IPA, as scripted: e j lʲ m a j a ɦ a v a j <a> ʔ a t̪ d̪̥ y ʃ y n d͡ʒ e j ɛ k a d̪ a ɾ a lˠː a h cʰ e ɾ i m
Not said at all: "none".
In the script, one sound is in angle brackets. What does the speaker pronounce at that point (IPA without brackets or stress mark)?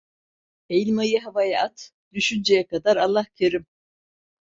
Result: a